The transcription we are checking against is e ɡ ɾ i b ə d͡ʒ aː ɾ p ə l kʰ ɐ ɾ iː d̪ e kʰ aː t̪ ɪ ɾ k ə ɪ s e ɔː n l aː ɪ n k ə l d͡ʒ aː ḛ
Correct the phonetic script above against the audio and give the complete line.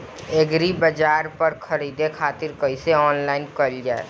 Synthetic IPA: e ɡ ɾ i b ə d͡ʒ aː ɾ p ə ɾ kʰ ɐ ɾ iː d̪ e kʰ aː t̪ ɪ ɾ k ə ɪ s e ɔː n l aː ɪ n k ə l d͡ʒ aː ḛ